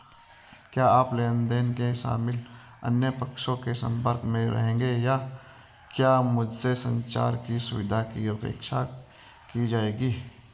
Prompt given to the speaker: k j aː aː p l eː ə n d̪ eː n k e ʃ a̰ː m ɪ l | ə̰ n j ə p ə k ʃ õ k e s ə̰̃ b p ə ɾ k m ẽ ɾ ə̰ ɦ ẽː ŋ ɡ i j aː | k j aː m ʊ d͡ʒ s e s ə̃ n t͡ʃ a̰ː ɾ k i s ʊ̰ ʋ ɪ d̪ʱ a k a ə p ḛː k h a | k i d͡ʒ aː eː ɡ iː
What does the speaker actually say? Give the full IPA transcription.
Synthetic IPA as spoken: k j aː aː p l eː ə n d̪ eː n k e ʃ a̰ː m ɪ l | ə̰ n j ə p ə k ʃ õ k e s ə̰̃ m p ə ɾ k m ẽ ɾ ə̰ ɦ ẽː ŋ ɡ e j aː | k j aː m ʊ d͡ʒ s e s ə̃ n t͡ʃ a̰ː ɾ k i s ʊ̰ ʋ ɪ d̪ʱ a k i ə p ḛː k ʃ a | k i d͡ʒ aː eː ɡ iː

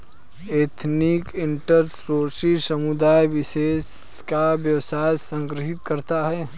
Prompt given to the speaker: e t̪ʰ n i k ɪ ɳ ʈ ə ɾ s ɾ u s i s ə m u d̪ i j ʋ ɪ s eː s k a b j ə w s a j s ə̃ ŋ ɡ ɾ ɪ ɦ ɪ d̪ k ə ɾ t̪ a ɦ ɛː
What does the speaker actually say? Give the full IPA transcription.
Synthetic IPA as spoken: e t̪ʰ n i k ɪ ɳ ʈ ə ɾ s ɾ o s i s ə m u d̪ a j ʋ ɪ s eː s k a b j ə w s a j s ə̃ ŋ ɡ ɾ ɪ ɦ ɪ t̪ k ə ɾ t̪ a ɦ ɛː

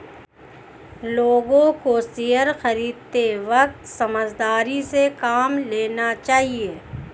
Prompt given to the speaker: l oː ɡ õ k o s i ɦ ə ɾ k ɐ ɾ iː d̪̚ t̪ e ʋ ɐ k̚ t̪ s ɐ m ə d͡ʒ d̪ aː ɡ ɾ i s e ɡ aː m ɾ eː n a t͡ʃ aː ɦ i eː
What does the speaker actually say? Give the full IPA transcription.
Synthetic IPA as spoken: l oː ɡ õ k o s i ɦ ə ɾ x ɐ ɾ iː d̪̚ t̪ e ʋ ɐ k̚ t̪ s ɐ m ə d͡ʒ d̪ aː ɾ i s e k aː m l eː n a t͡ʃ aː ɦ i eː

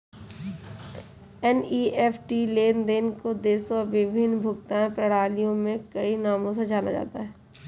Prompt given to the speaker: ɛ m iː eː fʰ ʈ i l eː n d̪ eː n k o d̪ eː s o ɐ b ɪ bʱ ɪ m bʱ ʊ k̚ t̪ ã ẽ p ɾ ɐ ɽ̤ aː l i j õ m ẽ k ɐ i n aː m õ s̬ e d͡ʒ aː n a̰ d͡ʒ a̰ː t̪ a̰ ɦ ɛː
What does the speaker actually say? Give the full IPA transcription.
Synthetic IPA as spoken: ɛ n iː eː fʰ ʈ i l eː n d̪ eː n k o d̪ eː s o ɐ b ɪ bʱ ɪ n bʱ ʊ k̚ t̪ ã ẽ p ɾ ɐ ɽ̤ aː l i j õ m ẽ k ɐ i n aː m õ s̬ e d͡ʒ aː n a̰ d͡ʒ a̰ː t̪ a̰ ɦ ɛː

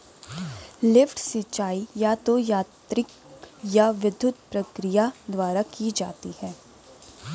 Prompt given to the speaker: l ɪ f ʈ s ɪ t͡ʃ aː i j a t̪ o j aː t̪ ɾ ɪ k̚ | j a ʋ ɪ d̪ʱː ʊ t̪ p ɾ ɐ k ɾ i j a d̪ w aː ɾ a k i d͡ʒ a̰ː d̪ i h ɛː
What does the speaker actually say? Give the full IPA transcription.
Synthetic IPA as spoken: l ɪ f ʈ s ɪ t͡ʃ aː i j a t̪ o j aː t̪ ɾ ɪ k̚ | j a ʋ ɪ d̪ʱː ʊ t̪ p ɾ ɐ k ɾ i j a d̪ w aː ɾ a k i d͡ʒ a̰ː t̪ i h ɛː

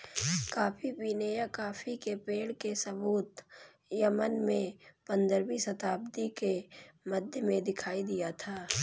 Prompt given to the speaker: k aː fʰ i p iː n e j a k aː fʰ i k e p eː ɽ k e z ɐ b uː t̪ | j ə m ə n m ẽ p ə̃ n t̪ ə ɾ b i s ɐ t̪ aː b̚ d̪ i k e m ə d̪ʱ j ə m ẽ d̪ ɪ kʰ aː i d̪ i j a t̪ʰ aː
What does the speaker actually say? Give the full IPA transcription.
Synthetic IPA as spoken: k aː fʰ i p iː n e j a k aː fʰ i k e p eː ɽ k e s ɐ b uː t̪ | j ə m ə n m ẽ p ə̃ n d̪ ə ɾ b i s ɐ t̪ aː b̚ d̪ i k e m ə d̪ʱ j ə m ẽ d̪ ɪ kʰ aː i d̪ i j a t̪ʰ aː

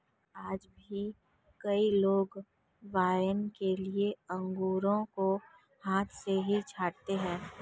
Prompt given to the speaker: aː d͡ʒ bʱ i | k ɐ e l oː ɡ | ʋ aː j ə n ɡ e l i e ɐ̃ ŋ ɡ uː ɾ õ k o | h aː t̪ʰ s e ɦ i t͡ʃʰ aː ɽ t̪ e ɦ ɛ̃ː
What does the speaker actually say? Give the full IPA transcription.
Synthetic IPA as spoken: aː d͡ʒ bʱ i | k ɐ i l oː ɡ | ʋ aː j ə n k e l i e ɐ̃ ŋ ɡ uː ɾ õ k o | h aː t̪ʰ s e ɦ i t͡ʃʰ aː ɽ t̪ e ɦ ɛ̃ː

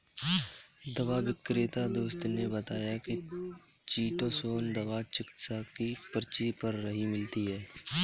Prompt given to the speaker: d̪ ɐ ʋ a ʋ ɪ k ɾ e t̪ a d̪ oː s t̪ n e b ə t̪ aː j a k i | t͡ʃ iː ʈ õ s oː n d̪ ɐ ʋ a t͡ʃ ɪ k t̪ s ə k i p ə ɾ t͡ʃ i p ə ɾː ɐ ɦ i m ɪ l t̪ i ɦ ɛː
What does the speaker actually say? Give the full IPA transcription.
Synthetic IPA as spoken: d̪ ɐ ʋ a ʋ ɪ k ɾ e t̪ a d̪ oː s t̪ n e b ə t̪ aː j a k i | t͡ʃ iː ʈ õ s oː n d̪ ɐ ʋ a t͡ʃ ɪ k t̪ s a k i p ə ɾ t͡ʃ i p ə ɾː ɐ ɦ i m ɪ l t̪ i ɦ ɛː

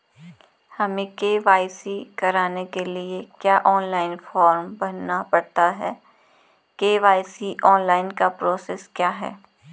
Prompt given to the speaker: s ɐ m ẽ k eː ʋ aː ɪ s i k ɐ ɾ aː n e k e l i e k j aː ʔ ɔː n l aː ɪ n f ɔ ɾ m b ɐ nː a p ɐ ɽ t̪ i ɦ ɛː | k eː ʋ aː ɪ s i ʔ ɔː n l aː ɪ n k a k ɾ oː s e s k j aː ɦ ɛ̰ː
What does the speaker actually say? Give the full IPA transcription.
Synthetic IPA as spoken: h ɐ m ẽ k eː ʋ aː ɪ s i k ɐ ɾ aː n e k e l i e k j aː ʔ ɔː n l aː ɪ n f ɔː ɾ m b ɐ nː a p ɐ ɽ t̪ a ɦ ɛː | k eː ʋ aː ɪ s i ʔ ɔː n l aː ɪ n k a p ɾ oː s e s k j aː ɦ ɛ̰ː

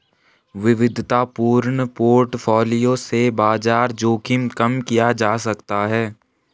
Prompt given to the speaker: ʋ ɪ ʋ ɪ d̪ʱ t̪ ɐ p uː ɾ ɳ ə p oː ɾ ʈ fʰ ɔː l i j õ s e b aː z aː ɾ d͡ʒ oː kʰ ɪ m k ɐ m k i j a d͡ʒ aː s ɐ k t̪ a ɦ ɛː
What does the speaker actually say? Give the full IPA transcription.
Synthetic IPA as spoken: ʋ ɪ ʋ ɪ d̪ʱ t̪ a p uː ɾ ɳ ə p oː ɾ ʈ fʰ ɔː l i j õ s e b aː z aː ɾ d͡ʒ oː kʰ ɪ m k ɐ m k i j a d͡ʒ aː s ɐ k t̪ a ɦ ɛː

